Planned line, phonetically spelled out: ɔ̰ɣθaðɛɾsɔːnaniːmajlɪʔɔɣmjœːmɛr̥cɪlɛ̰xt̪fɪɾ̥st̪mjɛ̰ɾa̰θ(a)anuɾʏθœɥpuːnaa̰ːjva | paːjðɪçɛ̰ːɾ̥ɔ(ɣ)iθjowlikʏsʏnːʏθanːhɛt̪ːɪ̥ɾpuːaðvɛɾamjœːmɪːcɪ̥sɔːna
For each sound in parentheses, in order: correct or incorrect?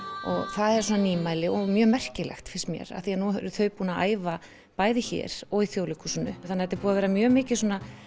incorrect: i, correct

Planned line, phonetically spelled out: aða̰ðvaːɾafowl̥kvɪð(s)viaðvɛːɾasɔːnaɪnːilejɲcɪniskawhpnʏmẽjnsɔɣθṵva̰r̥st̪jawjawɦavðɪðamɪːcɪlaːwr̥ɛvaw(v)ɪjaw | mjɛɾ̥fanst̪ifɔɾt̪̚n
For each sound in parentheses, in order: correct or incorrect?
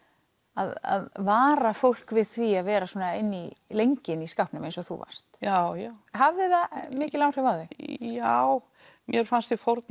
incorrect: θ, incorrect: ð

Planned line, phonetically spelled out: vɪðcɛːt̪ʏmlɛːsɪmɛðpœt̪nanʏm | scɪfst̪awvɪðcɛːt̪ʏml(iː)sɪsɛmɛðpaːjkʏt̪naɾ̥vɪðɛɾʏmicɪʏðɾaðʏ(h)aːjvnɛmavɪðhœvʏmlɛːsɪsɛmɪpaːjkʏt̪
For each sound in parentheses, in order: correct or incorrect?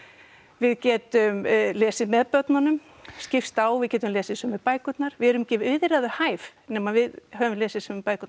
incorrect: ɛː, correct

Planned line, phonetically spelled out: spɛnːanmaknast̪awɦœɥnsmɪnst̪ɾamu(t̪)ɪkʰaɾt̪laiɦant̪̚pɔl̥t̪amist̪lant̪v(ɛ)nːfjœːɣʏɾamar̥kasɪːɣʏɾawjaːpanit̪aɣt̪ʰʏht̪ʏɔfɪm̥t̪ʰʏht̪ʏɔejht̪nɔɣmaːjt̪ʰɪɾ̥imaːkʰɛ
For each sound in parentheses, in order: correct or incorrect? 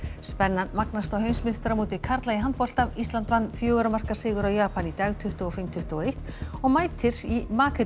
correct, incorrect: a

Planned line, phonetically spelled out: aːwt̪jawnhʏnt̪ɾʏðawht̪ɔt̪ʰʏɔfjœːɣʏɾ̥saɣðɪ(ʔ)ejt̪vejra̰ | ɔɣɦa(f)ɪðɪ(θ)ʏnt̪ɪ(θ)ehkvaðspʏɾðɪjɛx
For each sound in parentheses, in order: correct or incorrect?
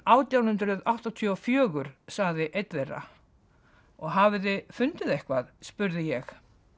correct, incorrect: v, incorrect: f, incorrect: ð

